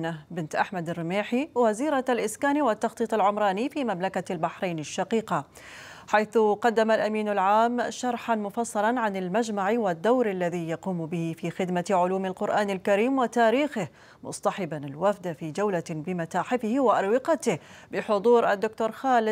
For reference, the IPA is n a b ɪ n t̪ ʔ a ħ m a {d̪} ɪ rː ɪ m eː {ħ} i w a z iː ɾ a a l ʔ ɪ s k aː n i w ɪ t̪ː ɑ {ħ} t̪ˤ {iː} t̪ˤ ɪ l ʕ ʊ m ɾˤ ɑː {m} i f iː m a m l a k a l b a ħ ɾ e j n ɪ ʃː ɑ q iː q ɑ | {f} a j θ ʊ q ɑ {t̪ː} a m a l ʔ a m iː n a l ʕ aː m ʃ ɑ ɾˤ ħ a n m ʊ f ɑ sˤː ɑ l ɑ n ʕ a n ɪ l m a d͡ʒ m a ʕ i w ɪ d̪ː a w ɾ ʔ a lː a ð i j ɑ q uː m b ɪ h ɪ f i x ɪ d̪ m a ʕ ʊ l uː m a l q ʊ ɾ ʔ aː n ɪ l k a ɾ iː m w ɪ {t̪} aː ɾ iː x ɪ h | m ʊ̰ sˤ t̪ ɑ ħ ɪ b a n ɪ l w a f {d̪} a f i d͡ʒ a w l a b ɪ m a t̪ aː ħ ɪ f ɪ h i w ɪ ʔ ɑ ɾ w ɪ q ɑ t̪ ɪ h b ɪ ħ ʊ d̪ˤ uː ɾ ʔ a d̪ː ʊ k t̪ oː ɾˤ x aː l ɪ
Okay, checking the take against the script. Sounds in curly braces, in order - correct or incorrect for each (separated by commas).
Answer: correct, correct, incorrect, correct, incorrect, incorrect, incorrect, correct, correct